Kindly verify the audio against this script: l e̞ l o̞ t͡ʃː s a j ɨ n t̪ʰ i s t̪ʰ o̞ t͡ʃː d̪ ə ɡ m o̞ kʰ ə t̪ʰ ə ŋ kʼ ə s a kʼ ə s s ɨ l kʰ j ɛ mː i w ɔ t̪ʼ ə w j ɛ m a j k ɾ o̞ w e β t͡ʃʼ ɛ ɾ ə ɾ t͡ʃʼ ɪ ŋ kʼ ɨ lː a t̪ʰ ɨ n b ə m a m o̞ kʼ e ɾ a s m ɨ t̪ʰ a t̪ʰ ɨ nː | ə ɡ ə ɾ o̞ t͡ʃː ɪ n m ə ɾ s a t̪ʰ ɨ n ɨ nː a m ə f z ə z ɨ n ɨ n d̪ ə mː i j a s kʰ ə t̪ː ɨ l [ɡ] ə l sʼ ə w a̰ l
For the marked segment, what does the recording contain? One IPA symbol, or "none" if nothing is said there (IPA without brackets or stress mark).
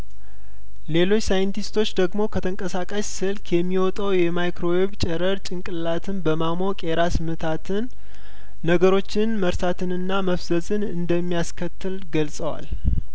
ɡ